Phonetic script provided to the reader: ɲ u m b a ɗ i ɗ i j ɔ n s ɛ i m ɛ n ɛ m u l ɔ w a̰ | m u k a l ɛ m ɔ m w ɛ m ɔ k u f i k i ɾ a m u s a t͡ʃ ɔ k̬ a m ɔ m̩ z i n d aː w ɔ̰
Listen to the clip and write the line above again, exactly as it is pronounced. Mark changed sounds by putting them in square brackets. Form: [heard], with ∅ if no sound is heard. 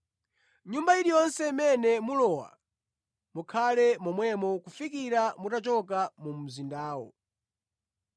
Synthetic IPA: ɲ u m b a [∅] i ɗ i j ɔ n s ɛ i m ɛ n ɛ m u l ɔ w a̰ | m u [kʰ] a l ɛ m ɔ m w ɛ m ɔ k u f i k i ɾ a m u [t] a t͡ʃ ɔ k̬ a m [u] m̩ z i n d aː w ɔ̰